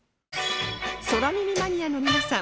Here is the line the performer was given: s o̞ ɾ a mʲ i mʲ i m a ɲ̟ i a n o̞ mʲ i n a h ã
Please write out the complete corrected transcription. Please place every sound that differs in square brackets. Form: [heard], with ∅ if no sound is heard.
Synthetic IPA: s o̞ ɾ a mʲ i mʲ i m a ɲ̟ i a n o̞ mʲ i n a [s] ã